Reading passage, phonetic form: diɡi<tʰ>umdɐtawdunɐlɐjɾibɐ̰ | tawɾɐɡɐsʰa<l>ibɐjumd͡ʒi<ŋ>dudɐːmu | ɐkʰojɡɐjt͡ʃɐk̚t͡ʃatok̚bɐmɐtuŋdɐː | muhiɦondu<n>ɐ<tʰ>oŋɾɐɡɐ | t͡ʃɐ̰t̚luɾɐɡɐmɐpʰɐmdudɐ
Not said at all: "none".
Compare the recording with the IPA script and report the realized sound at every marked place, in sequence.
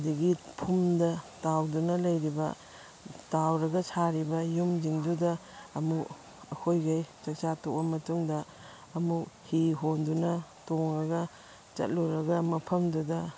pʰ, ɾ, ŋ, n, t

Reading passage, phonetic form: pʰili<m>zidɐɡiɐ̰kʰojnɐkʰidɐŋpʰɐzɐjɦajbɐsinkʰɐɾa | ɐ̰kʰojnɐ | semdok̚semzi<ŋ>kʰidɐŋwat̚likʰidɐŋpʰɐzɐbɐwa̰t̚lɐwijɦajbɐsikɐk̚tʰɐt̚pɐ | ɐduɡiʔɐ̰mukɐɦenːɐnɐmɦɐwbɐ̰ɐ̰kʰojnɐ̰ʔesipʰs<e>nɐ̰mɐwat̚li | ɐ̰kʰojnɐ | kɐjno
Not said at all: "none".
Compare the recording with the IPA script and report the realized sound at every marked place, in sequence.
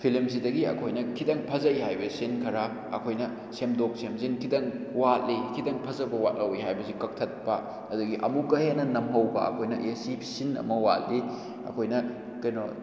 m, n, i

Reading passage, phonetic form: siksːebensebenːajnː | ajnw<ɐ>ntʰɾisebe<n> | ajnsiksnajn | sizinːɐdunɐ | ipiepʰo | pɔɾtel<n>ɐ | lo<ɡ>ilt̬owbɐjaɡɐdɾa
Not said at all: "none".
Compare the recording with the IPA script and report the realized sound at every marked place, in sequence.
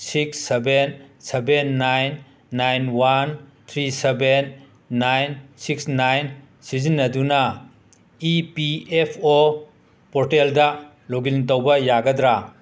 a, nː, d, ɡ

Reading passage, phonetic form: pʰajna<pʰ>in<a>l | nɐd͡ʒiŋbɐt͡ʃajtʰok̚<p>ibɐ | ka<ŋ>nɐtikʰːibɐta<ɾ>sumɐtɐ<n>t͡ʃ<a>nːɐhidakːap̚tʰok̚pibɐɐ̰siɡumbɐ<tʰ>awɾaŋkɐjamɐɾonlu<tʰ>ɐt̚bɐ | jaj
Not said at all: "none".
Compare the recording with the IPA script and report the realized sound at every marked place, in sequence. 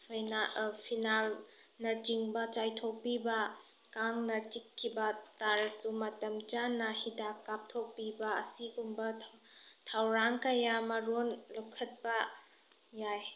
pʰ, a, p, ŋ, ɾ, m, a, tʰ, kʰ

